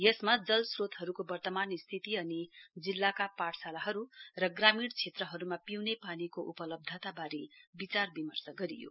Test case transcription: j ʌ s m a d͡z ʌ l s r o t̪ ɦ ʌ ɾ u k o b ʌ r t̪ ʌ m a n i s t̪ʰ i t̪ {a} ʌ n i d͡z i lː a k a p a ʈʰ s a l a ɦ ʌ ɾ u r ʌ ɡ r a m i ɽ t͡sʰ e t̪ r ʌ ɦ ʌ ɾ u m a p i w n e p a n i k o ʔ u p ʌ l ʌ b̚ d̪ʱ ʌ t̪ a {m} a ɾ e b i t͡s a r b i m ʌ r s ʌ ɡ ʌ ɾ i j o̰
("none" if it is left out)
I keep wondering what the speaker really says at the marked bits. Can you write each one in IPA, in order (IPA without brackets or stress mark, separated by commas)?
i, b